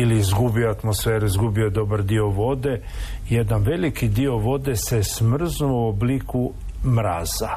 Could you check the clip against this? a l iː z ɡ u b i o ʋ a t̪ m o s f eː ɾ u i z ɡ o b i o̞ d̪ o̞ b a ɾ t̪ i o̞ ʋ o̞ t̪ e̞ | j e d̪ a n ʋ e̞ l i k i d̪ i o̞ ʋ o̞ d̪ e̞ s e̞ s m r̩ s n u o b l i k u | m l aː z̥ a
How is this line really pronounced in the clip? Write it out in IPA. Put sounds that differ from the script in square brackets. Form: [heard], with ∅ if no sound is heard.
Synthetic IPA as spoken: [i] l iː z ɡ u b i o [∅] a t̪ m o s f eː ɾ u i z ɡ [u] b i o̞ d̪ o̞ b a ɾ [d̪] i o̞ ʋ o̞ [d̪] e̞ | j e d̪ a n ʋ e̞ l i k i d̪ i o̞ ʋ o̞ d̪ e̞ s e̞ s m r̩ [z] n u o b l i k u | m [ɾ] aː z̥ a